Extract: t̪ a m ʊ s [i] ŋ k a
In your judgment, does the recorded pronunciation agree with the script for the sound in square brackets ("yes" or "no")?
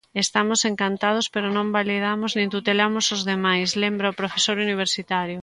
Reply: no